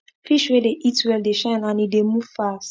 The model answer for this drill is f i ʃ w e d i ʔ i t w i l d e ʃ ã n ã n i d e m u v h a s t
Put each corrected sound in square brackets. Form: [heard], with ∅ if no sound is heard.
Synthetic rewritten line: f i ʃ w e d [e] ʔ i t w [ɛ] l d e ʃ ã n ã n i d e m u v [f] a s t

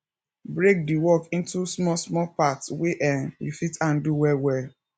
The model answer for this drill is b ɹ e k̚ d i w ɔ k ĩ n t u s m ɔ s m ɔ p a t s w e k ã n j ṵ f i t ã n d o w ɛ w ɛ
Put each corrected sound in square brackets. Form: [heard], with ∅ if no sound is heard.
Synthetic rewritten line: b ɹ e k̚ d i w ɔ k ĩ n t u s m ɔ s m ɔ p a t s w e [ʔ] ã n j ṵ f i t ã n d [u] w ɛ w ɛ

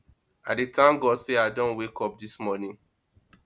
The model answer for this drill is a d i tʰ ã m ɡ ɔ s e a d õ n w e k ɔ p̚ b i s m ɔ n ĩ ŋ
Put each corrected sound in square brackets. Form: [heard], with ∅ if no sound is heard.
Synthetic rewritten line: a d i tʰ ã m ɡ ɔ s e a d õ n w e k ɔ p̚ [d] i s m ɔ n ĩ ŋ

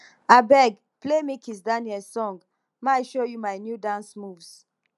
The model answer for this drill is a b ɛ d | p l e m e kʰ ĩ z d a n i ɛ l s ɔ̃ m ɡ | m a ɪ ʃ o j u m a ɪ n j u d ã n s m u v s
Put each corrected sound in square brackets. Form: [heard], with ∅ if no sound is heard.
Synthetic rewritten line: a b ɛ [ɡ] | p l e m [i] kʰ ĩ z d a n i ɛ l s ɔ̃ [ŋ] ɡ | m a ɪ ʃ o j u m a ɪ n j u d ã n s m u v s

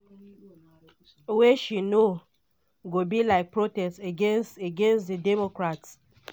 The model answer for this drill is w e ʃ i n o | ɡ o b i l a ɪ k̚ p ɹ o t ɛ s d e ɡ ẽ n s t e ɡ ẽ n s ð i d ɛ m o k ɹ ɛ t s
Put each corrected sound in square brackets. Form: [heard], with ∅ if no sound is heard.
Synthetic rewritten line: w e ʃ i n o | ɡ o b i l a ɪ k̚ p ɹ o t ɛ s [t] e ɡ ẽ n s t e ɡ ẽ n s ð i d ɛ m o k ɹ [a] t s

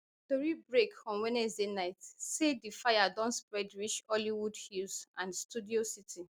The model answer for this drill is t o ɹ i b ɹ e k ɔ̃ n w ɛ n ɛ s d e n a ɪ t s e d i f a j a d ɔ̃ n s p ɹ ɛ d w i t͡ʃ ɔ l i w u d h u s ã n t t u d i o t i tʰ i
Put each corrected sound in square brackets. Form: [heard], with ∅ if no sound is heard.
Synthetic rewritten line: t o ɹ i b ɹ e k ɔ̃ n w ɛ n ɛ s d e n a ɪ t s e d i f a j a d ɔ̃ n s p ɹ ɛ d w i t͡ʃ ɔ l i w u d h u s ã n [s] t u d i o [s] i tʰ i

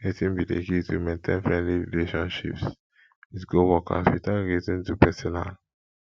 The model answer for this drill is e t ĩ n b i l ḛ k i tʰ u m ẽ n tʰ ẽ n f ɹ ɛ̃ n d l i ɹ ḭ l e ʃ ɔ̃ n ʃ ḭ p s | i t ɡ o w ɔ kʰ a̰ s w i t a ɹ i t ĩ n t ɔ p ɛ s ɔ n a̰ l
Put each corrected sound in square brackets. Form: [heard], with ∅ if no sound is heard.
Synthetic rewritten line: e t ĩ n b i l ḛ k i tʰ u m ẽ n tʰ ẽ n f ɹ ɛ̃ n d l i ɹ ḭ l e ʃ ɔ̃ n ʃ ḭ p s | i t ɡ o w ɔ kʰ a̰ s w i t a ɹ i t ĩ n t [u] p ɛ s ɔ n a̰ l

